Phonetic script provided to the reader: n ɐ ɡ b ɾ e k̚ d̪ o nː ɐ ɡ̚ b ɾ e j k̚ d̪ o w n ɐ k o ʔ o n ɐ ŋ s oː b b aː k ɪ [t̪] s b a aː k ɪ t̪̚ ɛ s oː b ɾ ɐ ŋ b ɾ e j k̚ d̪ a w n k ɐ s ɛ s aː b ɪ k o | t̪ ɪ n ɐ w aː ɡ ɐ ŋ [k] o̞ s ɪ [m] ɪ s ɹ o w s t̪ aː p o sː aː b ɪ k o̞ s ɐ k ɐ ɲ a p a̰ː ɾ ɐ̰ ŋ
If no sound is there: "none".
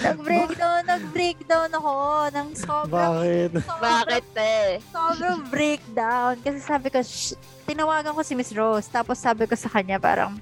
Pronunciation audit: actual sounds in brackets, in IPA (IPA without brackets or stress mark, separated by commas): t̪, k, m